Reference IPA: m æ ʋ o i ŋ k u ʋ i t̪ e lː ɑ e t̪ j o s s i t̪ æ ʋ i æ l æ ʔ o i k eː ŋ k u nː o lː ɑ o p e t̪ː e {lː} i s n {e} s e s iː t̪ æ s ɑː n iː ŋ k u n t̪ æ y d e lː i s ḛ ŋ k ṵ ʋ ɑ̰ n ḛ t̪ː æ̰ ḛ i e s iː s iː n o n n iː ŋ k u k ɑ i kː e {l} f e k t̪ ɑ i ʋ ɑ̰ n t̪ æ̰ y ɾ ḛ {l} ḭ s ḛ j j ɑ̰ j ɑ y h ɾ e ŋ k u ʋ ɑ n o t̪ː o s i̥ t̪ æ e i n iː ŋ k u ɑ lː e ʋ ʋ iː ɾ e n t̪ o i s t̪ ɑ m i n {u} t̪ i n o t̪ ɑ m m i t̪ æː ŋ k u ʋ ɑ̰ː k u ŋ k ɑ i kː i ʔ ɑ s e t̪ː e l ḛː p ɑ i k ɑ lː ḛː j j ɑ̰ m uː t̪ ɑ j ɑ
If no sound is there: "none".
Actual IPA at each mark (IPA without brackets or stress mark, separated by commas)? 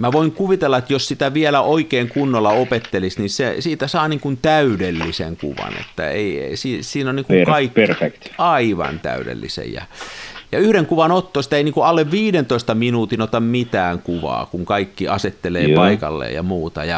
l, i, r, lː, uː